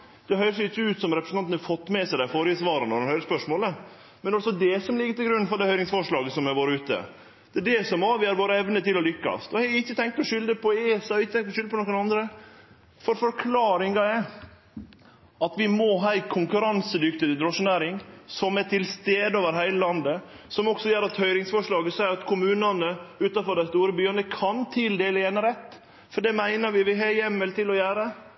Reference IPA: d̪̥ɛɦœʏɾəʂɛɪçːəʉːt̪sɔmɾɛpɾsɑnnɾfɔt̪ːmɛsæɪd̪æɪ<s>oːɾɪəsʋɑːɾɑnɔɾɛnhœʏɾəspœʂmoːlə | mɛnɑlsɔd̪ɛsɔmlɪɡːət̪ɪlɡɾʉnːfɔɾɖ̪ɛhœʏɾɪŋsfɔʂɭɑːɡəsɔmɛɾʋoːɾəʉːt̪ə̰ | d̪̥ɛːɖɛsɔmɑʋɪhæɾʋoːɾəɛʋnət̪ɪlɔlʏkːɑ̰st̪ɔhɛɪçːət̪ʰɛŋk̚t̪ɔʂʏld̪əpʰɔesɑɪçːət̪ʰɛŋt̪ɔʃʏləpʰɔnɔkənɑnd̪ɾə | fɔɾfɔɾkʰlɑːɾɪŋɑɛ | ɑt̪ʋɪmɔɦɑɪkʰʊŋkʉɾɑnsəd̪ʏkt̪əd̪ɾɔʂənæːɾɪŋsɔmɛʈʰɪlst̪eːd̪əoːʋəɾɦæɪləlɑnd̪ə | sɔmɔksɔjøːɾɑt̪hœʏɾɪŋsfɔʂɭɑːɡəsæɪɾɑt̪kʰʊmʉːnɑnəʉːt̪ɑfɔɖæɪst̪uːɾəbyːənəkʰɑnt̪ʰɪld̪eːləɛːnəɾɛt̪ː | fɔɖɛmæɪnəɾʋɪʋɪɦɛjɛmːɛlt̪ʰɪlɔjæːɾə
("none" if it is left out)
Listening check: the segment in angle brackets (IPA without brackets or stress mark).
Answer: f